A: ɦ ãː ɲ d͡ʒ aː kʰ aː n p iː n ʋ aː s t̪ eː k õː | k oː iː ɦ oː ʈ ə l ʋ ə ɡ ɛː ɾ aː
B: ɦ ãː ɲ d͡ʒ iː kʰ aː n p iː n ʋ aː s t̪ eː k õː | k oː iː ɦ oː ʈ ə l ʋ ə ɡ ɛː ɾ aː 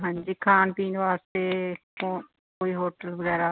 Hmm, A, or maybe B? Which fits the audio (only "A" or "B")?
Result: B